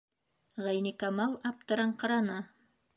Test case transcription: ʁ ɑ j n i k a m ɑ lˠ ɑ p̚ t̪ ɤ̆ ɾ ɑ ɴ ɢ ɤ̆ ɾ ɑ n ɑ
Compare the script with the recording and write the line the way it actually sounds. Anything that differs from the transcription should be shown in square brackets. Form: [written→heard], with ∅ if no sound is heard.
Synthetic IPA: ʁ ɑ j n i k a m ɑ lˠ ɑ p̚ t̪ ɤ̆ ɾ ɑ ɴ [ɢ→q] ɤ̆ ɾ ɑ n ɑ